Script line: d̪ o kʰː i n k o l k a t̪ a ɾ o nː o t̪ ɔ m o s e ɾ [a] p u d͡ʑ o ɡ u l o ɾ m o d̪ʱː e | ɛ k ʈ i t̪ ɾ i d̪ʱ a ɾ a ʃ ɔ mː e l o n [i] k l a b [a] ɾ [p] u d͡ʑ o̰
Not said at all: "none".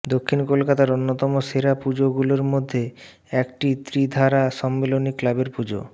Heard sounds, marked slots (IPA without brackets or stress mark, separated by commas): a, i, e, p